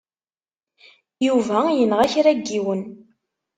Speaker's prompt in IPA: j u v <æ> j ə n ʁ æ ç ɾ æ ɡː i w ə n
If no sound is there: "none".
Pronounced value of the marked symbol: æ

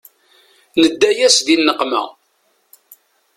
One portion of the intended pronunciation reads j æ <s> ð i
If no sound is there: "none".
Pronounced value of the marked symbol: s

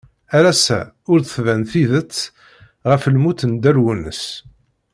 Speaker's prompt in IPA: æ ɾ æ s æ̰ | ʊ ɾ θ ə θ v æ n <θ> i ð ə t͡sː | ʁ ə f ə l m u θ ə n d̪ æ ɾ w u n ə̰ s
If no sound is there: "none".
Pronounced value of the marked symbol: θ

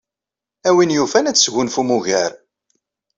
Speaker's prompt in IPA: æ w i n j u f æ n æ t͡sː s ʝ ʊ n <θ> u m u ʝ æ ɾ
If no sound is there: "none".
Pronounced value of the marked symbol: f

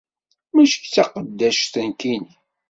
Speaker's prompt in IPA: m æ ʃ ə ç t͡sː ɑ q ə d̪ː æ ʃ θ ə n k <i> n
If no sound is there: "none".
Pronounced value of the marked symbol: i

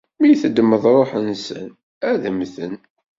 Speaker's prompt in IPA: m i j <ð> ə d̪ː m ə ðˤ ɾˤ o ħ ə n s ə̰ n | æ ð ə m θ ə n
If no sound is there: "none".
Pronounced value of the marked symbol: θ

